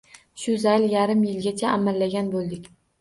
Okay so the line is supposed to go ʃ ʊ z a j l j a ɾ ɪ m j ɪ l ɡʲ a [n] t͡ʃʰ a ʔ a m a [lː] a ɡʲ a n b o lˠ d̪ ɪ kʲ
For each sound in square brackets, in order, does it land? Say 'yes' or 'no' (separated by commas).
no, yes